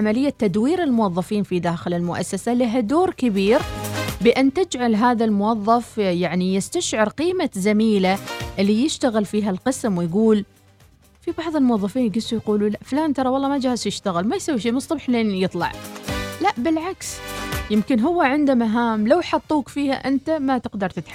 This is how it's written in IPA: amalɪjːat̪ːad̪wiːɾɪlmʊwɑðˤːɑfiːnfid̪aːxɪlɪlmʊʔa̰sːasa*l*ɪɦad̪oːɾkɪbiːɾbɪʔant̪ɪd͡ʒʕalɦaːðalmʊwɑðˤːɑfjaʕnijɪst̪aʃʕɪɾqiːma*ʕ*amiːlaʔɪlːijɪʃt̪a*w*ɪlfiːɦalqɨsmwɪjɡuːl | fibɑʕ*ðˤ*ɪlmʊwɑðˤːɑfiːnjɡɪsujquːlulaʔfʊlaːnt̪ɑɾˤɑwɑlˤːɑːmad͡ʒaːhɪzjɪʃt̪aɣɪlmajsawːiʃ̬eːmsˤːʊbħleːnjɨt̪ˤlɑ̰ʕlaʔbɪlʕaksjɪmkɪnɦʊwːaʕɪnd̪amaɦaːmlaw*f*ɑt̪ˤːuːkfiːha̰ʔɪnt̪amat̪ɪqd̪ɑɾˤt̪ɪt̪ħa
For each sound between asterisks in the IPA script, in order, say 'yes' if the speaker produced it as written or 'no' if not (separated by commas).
yes, no, no, yes, no